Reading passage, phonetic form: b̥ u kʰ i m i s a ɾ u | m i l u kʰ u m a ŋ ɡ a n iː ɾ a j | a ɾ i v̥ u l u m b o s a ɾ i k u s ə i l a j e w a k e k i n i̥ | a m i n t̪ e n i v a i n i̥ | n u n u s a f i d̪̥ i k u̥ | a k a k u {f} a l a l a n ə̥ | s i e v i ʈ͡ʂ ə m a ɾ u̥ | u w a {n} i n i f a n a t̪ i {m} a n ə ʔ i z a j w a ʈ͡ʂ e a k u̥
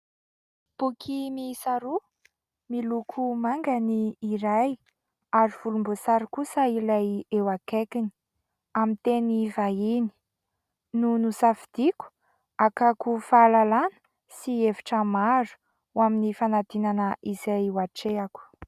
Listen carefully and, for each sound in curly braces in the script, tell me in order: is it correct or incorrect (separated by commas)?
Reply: correct, incorrect, incorrect